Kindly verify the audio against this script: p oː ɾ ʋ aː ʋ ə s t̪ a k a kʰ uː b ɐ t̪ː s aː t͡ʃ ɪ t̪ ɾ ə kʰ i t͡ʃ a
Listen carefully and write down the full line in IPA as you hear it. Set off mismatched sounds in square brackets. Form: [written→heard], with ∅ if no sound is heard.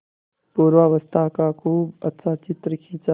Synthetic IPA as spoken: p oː ɾ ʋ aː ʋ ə s [t̪→t̪ʰ] a k a kʰ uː b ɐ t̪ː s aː t͡ʃ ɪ t̪ ɾ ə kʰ i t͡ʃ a